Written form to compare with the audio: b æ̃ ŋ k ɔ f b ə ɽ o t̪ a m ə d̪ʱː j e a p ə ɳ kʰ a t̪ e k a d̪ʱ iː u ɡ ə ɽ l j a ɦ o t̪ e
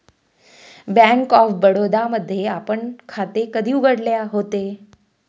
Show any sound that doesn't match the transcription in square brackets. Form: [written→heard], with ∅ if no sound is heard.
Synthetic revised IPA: b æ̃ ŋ k ɔ f b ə ɽ o [t̪→d̪] a m ə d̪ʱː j e a p ə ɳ kʰ a t̪ e k [a→ə] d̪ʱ iː u ɡ ə ɽ l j a ɦ o t̪ e